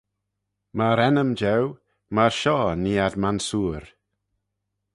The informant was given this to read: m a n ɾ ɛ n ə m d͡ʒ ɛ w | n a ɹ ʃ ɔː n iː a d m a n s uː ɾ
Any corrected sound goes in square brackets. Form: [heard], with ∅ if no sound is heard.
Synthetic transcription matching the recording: m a [∅] ɾ ɛ n ə m d͡ʒ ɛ w | [m] a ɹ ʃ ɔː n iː a d m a n s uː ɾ